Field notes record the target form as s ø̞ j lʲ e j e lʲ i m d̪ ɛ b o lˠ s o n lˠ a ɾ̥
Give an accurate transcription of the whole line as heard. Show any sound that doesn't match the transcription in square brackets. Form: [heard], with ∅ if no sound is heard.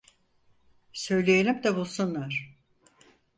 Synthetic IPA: s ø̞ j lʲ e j e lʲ i m d̪ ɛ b [u] lˠ s [u] n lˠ a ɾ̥